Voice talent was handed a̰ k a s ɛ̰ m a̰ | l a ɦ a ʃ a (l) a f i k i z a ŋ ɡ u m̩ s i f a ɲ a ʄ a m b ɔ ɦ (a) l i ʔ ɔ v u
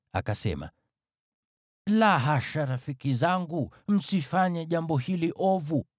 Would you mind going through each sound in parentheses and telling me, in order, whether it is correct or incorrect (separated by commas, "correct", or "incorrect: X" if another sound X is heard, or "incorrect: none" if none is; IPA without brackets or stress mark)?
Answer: incorrect: ɾ, incorrect: i